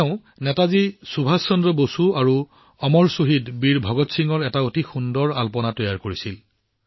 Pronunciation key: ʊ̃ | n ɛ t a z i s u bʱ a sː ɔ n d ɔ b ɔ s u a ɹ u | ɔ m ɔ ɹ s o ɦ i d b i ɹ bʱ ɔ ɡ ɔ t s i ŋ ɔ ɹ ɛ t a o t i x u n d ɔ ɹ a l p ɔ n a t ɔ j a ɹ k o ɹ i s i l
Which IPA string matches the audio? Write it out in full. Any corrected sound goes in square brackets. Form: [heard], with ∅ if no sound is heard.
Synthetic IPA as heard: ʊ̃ | n ɛ t a z i s u bʱ a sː ɔ n d ɔ b [o] s u a ɹ u | ɔ m ɔ ɹ s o ɦ i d b i ɹ bʱ ɔ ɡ ɔ t s i ŋ ɔ ɹ ɛ t a o t i x u n d ɔ ɹ a l p ɔ n a t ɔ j a ɹ k o ɹ i s i l